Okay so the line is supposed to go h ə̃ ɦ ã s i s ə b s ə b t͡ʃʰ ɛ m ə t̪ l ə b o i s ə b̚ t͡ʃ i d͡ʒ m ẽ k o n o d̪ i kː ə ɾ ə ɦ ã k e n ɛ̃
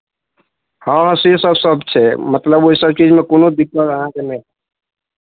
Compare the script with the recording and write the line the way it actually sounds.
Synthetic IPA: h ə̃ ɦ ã s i s ə b s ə b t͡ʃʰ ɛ m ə t̪ l ə b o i s ə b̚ t͡ʃ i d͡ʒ m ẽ k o n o d̪ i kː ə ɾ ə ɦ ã k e n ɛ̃

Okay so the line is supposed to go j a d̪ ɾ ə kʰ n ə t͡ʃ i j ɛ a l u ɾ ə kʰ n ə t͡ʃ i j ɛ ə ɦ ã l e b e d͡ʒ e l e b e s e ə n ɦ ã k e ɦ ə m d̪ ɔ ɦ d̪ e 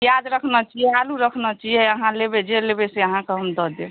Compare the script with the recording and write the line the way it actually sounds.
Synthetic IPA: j a d̪ ɾ ə kʰ n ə t͡ʃ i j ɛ a l u ɾ ə kʰ n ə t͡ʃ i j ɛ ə ɦ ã l e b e d͡ʒ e l e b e s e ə ɦ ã k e ɦ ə m d̪ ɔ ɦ d̪ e

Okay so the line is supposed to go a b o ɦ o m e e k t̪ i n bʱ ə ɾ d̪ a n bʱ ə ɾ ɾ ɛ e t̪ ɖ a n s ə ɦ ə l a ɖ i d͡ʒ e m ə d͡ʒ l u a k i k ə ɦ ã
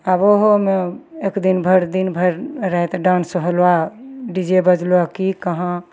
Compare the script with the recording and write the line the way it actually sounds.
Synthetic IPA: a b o ɦ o m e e k d̪ i n bʱ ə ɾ d̪ i n bʱ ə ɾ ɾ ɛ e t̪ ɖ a n s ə ɦ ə l a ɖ i d͡ʒ e b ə d͡ʒ l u a k i k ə ɦ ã

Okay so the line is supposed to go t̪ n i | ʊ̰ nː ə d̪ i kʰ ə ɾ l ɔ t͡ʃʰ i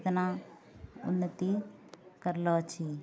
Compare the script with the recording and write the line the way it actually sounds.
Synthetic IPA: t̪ n a | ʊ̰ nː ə t̪ i k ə ɾ l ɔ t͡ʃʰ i

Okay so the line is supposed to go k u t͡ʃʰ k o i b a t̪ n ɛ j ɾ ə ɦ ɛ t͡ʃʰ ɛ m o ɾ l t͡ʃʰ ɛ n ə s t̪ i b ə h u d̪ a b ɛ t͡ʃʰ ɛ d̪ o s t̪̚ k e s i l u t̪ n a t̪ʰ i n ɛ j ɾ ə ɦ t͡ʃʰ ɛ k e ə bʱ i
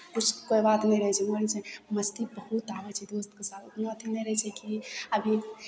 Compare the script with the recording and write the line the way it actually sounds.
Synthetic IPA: k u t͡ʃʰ k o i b a t̪ n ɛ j ɾ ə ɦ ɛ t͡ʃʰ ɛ m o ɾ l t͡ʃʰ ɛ m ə s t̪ i b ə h u t̪ a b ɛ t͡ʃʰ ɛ d̪ o s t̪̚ k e s a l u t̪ n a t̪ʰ i n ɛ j ɾ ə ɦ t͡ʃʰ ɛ k i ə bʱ i

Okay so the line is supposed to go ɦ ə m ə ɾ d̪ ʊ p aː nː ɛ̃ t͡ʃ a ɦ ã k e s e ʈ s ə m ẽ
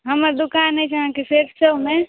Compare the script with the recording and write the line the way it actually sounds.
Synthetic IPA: ɦ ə m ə ɾ d̪ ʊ k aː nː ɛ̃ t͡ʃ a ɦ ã k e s e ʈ s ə m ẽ

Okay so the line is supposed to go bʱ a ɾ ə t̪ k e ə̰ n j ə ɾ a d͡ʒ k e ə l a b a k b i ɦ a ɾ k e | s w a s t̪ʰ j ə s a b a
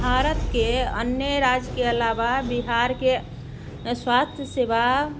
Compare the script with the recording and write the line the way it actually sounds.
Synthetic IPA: bʱ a ɾ ə t̪ k e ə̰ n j ə ɾ a d͡ʒ k e ə l a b a b i ɦ a ɾ k e | s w a s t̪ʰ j ə s e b a

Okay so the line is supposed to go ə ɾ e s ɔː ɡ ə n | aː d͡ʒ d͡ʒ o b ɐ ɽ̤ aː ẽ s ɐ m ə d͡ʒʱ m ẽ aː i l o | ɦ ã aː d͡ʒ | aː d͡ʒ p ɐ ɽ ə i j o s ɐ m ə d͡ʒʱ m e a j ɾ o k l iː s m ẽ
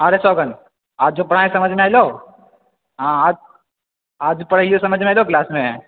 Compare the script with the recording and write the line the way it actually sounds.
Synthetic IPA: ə ɾ e s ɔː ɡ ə n | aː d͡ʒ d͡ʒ o p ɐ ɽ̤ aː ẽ s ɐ m ə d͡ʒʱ m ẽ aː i l o | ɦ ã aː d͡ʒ | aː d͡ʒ p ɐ ɽ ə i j o s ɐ m ə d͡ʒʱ m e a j l o k l aː s m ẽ

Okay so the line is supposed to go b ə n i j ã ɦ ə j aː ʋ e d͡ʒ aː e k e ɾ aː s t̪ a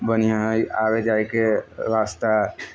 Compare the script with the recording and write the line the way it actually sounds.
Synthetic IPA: b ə n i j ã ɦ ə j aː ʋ e d͡ʒ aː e k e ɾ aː s t̪ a

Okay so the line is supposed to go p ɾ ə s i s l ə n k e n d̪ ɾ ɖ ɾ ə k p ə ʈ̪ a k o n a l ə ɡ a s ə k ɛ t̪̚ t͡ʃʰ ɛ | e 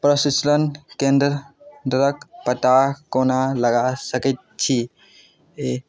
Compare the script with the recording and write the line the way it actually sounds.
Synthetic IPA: p ɾ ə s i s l ə n k e n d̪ ɾ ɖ ɾ ə k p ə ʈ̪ a k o n a l ə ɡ a s ə k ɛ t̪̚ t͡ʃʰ i | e

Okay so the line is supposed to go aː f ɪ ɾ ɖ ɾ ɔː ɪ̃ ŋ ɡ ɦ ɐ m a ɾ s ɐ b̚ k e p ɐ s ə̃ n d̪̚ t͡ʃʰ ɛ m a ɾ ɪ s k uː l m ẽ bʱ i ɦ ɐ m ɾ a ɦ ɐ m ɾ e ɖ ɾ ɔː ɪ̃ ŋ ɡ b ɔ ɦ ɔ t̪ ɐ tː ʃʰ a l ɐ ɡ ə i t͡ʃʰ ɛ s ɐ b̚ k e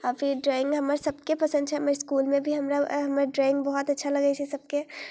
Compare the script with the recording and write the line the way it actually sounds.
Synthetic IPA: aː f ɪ ɾ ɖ ɾ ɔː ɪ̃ ŋ ɡ ɦ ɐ m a ɾ s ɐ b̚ k e p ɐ s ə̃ n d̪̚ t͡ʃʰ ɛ m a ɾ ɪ s k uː l m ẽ bʱ i ɦ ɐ m ɾ a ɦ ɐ m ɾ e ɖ ɾ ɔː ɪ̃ ŋ ɡ b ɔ ɦ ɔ t̪ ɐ tː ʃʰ a l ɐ ɡ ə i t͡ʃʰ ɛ s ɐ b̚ k e

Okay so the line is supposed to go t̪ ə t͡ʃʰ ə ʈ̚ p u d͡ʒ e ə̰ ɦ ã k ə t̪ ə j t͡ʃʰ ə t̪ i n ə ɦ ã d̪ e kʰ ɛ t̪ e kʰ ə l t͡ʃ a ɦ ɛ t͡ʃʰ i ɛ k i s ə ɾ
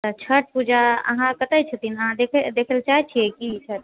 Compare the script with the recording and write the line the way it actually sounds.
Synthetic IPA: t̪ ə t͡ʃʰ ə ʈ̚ p u d͡ʒ a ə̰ ɦ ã k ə t̪ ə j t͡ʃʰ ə t̪ i n ə ɦ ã d̪ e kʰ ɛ d̪ e kʰ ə l t͡ʃ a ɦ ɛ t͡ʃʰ i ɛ k i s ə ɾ

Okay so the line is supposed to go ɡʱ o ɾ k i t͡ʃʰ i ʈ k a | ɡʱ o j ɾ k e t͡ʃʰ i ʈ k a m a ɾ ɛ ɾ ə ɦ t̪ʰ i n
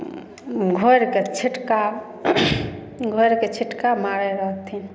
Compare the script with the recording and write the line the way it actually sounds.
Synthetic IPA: ɡʱ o ɾ k e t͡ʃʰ i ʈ k a | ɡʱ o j ɾ k e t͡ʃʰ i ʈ k a m a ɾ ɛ ɾ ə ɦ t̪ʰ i n

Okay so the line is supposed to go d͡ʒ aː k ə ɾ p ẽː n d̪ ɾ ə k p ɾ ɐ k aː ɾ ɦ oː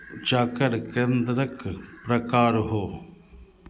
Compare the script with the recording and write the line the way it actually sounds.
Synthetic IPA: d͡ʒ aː k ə ɾ k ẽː n d̪ ɾ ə k p ɾ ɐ k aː ɾ ɦ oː

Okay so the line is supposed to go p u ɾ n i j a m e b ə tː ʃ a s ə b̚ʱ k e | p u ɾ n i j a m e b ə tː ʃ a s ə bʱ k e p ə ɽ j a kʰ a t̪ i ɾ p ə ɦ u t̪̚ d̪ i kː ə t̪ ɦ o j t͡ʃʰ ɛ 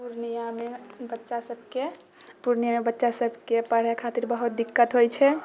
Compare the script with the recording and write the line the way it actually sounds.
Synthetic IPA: p u ɾ n i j a m e b ə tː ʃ a s ə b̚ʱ k e | p u ɾ n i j a m e b ə tː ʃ a s ə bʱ k e p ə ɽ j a kʰ a t̪ i ɾ b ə ɦ u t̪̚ d̪ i kː ə t̪ ɦ o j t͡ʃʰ ɛ

